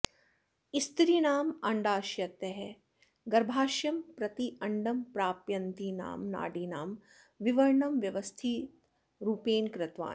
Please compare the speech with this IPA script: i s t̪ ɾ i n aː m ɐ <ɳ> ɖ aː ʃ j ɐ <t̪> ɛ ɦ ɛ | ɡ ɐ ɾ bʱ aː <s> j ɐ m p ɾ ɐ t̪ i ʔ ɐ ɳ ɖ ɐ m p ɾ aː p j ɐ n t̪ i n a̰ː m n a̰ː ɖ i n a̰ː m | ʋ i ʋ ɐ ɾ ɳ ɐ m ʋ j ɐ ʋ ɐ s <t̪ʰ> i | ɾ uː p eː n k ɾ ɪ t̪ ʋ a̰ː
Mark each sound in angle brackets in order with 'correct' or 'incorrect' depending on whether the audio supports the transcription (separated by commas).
correct, correct, incorrect, correct